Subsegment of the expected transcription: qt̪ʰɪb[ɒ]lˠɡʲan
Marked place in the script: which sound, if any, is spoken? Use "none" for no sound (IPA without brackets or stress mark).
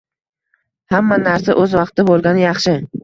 o